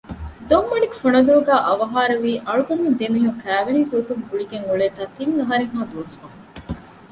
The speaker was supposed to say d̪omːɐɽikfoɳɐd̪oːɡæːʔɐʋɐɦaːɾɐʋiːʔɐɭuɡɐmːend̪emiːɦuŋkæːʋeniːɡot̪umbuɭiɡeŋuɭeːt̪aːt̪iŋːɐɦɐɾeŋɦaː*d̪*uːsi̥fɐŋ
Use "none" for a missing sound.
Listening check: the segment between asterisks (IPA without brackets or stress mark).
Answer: d̪